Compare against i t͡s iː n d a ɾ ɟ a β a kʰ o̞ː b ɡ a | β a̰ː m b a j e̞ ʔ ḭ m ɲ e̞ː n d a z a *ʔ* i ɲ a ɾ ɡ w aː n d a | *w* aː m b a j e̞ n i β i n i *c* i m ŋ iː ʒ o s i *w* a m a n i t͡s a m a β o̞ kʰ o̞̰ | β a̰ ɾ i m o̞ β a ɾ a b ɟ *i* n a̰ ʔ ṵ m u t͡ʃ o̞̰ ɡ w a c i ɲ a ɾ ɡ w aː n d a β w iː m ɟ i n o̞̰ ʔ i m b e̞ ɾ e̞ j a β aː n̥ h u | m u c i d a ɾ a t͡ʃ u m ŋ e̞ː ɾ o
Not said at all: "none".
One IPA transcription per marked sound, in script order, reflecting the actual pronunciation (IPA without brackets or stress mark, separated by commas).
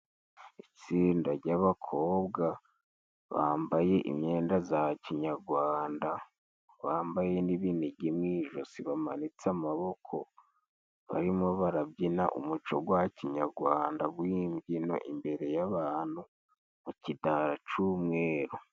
c, β, ɟ, β, i